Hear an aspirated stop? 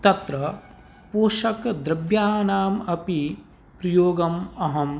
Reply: no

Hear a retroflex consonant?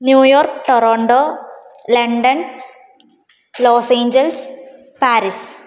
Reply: yes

